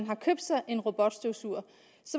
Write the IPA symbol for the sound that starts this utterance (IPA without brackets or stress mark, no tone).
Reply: n